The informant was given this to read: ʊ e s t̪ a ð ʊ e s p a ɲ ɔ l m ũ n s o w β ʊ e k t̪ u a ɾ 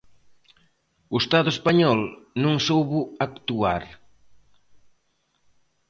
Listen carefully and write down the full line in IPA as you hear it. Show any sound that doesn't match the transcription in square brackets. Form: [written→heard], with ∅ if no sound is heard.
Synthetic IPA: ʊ e s t̪ a ð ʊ e s p a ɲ ɔ l [m→n] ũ [n→ŋ] s o w β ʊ [e→a] k t̪ u a ɾ